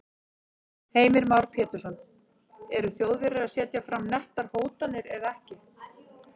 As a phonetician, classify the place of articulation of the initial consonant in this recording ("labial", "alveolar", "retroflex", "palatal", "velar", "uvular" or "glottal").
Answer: glottal